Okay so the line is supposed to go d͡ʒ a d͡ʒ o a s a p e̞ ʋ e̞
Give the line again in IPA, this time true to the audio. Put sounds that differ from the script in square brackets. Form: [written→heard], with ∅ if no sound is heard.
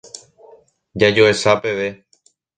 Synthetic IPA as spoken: d͡ʒ a d͡ʒ o [a→e] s a p e̞ ʋ e̞